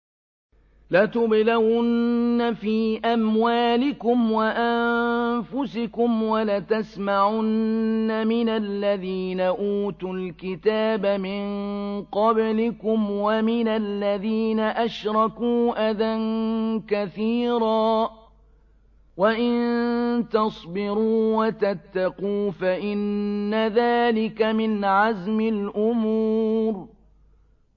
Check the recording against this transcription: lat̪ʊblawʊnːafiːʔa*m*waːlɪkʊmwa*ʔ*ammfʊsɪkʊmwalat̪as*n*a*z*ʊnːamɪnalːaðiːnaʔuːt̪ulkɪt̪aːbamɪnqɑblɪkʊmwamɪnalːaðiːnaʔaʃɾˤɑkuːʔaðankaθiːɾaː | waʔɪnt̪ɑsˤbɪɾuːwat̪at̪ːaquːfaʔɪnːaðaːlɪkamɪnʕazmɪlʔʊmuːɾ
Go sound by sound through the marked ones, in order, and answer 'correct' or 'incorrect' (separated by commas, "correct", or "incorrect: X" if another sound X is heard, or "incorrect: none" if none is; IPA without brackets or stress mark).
correct, correct, incorrect: m, incorrect: ʕ